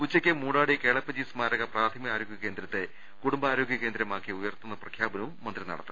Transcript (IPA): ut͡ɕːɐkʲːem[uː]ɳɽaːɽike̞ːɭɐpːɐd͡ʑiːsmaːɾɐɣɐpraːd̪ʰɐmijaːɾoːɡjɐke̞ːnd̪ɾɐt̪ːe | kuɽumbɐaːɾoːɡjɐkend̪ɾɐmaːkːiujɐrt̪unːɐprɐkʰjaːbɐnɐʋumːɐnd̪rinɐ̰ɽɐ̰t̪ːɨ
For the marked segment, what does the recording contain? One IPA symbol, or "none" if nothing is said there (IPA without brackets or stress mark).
uː